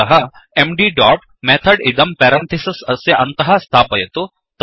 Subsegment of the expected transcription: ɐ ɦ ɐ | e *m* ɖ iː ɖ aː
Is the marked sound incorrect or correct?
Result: correct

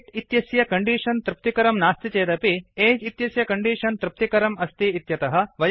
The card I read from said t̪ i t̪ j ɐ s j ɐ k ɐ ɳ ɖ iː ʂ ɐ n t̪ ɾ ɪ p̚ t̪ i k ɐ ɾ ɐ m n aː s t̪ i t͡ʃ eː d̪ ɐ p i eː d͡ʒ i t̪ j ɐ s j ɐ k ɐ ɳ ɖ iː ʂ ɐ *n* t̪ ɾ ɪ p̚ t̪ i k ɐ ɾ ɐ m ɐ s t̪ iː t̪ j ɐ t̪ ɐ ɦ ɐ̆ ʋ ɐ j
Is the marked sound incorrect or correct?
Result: correct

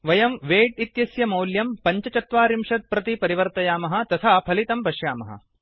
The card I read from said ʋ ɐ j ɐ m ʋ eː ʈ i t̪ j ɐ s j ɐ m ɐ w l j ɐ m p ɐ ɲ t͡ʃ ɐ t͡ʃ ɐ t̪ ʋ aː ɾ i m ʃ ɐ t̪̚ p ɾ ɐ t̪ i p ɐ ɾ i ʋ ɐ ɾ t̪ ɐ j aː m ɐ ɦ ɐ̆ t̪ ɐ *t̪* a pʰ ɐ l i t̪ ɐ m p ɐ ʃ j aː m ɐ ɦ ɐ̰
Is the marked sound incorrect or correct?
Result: incorrect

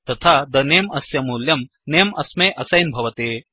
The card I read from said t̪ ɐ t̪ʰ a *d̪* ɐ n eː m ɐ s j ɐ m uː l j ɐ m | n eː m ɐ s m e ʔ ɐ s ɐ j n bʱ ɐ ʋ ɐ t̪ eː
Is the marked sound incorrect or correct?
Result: correct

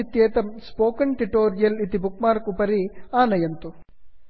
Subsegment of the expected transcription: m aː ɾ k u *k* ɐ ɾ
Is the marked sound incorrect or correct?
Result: incorrect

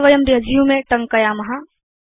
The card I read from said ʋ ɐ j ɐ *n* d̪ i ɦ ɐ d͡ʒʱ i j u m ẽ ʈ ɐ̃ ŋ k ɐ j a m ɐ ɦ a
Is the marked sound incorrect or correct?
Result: incorrect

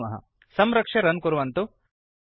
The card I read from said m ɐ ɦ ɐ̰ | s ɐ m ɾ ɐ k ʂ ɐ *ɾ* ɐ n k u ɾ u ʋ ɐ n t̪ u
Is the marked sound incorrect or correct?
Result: correct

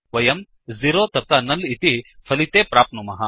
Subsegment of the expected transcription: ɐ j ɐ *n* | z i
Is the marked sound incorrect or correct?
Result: incorrect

